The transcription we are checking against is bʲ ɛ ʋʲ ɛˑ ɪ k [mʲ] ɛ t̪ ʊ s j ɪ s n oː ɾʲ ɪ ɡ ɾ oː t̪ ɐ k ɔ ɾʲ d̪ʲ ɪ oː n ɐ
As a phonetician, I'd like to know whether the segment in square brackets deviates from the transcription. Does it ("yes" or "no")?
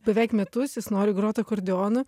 no